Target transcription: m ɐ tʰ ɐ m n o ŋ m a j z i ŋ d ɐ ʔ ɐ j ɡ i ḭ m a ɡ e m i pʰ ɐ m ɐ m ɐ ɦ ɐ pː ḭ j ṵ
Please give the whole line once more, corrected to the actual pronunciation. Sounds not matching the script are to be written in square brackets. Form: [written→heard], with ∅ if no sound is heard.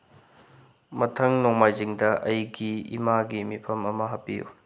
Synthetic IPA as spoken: m ɐ tʰ ɐ [m→ŋ] n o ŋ m a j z i ŋ d ɐ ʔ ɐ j ɡ i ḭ m a ɡ [e→i] m i pʰ ɐ m ɐ m ɐ ɦ ɐ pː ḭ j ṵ